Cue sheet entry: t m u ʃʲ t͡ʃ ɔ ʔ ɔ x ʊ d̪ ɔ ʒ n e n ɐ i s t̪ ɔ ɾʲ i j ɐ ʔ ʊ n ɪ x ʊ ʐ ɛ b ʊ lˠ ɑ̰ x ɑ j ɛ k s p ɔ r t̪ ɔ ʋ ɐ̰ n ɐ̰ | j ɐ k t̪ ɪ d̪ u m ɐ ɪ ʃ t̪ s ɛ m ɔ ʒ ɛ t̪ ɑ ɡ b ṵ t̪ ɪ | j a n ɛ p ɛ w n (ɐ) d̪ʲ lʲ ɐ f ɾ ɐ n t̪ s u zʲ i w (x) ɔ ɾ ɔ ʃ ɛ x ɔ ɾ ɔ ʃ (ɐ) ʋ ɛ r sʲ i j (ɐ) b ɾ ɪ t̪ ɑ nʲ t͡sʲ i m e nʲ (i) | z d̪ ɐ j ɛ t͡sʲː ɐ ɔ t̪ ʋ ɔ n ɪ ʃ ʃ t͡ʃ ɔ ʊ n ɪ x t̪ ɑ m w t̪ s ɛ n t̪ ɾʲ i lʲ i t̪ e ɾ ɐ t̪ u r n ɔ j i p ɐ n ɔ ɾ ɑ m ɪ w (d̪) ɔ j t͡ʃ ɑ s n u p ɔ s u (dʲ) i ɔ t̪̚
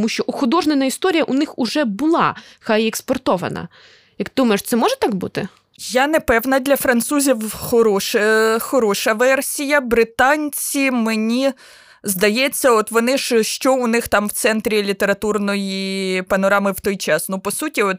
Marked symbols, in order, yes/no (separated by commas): yes, yes, yes, yes, yes, no, no